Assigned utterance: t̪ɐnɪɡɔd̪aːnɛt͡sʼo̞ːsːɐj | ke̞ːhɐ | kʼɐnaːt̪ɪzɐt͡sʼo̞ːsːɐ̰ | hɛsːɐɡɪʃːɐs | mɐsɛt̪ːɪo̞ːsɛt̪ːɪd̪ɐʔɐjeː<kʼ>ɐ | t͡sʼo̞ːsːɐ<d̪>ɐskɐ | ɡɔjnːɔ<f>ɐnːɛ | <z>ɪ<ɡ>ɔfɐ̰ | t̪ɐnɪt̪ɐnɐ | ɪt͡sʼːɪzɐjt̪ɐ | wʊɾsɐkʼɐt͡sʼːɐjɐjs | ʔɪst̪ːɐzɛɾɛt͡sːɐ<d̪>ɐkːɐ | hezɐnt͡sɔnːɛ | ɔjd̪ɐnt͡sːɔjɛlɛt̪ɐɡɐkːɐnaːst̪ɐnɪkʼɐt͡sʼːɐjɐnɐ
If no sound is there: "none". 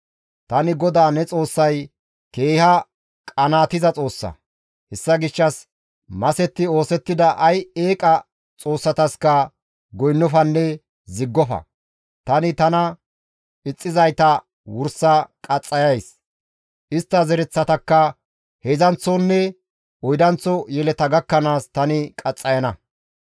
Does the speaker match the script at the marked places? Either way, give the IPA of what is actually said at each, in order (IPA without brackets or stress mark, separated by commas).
kʼ, t̪, f, z, ɡː, t̪